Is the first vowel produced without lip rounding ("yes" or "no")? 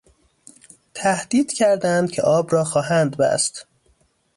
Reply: yes